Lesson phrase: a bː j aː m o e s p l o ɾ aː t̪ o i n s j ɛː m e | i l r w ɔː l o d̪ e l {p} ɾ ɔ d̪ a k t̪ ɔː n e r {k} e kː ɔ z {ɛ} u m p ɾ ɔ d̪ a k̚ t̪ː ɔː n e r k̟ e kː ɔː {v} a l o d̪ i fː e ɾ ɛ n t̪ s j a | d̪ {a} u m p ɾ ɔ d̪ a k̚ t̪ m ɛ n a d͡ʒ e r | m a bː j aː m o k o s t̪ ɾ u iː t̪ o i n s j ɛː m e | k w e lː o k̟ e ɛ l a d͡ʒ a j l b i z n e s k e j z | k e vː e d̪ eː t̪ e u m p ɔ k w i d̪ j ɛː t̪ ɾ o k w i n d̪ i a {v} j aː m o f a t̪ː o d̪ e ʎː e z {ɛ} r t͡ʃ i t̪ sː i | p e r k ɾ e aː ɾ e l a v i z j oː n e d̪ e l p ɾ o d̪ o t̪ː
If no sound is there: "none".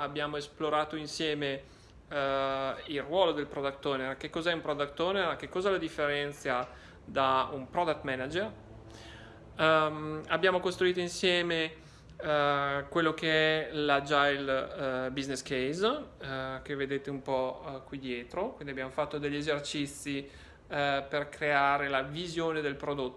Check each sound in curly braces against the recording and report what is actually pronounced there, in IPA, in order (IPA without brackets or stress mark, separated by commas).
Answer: p, k, ɛ, z, a, b, e